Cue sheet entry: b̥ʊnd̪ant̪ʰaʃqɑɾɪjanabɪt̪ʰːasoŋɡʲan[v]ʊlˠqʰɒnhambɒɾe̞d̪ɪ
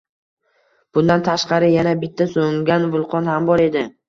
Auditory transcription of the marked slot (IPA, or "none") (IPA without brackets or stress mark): v